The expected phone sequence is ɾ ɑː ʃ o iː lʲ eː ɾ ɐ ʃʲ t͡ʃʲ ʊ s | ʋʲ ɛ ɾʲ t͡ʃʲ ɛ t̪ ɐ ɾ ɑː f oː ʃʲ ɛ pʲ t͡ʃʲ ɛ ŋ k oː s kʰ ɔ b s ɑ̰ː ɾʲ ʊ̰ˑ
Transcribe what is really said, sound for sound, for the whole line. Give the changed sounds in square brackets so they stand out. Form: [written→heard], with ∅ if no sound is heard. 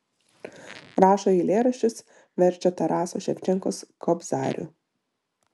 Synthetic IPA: ɾ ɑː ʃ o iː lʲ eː ɾ ɐ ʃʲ t͡ʃʲ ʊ s | ʋʲ ɛ ɾʲ t͡ʃʲ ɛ t̪ ɐ ɾ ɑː [f→s] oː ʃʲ ɛ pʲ t͡ʃʲ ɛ ŋ k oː s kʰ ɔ b [s→z] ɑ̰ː ɾʲ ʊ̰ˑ